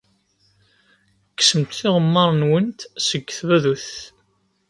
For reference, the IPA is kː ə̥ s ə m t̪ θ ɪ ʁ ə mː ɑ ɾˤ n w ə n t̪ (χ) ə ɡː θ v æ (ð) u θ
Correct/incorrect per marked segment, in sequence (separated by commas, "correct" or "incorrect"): incorrect, correct